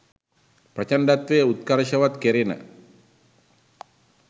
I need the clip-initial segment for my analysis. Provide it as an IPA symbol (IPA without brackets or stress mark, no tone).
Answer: p